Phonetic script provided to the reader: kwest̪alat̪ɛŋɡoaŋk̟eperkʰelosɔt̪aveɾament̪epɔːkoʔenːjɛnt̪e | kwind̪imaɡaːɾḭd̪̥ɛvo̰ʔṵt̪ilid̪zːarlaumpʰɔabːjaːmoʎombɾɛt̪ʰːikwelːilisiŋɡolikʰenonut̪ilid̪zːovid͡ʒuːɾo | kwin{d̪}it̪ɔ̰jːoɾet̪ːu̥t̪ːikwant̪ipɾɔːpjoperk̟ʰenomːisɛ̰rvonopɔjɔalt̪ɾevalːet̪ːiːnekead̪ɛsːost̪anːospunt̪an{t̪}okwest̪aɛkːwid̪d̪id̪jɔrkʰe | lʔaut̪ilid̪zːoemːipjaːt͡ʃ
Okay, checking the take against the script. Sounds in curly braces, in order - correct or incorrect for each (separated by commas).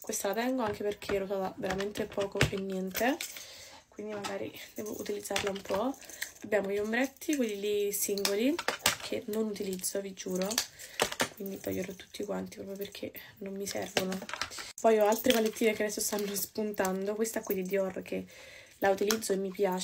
correct, incorrect